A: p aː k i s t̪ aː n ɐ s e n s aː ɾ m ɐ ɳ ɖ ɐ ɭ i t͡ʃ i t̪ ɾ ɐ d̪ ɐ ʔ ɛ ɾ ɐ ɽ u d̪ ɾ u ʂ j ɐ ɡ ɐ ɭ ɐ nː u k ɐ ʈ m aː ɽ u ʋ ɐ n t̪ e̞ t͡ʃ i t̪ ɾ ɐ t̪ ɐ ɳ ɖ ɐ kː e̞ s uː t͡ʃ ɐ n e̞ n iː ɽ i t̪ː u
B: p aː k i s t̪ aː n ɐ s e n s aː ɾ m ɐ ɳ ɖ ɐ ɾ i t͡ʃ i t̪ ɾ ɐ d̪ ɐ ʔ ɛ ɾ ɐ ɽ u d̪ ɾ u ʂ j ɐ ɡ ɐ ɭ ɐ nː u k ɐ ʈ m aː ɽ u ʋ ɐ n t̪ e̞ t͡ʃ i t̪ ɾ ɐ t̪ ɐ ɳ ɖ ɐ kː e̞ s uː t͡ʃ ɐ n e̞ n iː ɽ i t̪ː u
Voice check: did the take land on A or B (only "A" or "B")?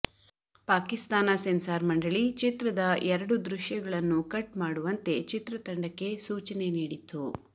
A